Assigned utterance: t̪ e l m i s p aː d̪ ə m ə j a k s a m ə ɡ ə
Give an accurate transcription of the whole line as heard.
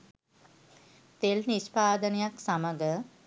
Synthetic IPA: t̪ e l n i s p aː d̪ ə n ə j a k s a m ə ɡ ə